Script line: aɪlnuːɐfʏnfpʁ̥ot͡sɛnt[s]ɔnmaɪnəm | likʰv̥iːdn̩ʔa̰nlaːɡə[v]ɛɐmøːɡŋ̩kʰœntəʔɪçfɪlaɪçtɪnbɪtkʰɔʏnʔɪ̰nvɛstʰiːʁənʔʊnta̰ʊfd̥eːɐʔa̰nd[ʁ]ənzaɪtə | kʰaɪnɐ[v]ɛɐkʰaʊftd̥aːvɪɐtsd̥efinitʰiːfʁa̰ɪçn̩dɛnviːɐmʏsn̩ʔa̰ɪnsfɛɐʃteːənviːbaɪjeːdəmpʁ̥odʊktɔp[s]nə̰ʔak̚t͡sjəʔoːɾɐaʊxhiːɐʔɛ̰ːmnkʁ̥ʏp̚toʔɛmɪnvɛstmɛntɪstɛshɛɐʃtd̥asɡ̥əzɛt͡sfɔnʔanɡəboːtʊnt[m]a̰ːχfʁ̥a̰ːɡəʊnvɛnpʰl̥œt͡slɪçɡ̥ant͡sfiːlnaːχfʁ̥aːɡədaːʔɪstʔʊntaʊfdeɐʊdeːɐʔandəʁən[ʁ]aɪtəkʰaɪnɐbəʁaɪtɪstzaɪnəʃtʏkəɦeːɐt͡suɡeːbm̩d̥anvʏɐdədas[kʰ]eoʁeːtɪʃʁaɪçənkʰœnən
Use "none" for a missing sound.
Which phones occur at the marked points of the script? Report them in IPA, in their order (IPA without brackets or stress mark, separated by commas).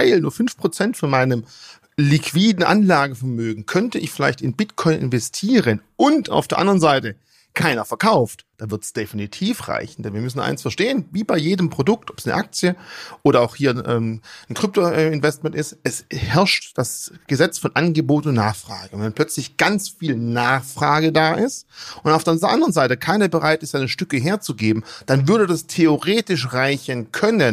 f, f, ʁ, f, s, n, z, tʰ